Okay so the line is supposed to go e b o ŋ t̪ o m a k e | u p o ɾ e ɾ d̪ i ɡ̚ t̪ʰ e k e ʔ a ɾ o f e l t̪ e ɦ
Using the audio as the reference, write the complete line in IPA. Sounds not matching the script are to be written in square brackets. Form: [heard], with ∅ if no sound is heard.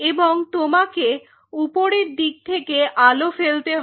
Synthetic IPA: e b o ŋ t̪ o m a k e | u p o ɾ e ɾ d̪ i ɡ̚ t̪ʰ e k e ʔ a [l] o f e l t̪ e ɦ